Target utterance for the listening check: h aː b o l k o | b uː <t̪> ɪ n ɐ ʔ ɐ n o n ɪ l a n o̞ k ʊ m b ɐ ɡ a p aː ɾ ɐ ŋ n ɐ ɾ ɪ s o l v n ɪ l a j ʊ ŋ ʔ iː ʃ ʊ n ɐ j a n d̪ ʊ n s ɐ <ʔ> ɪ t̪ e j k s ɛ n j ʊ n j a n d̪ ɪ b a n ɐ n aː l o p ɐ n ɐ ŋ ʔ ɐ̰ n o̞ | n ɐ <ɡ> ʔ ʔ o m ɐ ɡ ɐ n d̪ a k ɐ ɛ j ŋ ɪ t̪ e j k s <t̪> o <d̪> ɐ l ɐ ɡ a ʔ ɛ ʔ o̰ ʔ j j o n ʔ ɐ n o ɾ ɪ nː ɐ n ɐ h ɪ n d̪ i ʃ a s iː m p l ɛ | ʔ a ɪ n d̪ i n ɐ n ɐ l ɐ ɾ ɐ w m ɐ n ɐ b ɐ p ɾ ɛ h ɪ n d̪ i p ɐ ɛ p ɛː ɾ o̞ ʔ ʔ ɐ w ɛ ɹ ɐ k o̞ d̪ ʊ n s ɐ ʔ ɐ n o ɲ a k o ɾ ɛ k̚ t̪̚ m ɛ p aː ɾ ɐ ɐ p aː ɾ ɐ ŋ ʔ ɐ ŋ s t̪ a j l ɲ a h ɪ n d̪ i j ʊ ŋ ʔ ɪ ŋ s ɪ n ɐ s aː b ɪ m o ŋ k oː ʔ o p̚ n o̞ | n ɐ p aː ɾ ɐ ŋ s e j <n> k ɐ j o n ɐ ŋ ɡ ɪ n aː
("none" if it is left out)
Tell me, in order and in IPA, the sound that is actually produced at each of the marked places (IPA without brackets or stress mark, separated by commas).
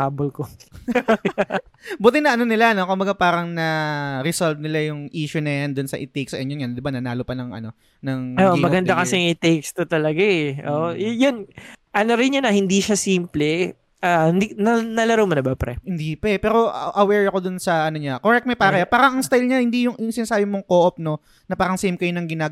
t̪, ʔ, ŋ, t̪, t̪, m